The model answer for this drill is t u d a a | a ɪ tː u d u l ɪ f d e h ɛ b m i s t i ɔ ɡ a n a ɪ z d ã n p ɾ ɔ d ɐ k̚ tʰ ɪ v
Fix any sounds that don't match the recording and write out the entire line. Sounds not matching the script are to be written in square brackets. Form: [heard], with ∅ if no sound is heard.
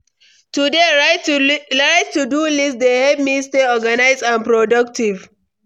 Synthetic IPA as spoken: t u d [e] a | a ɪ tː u d u l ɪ [s] d e h ɛ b m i s t [e] ɔ ɡ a n a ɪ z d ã n p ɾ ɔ d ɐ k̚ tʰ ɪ v